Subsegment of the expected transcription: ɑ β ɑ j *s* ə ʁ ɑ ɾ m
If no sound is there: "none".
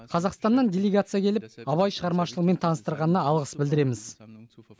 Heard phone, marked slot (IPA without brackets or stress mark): ʃ